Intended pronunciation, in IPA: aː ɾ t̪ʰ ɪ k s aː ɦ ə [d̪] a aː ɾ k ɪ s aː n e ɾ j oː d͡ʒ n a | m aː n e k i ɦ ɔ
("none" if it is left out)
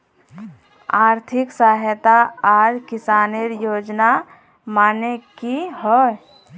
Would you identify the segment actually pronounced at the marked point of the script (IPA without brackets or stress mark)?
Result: t̪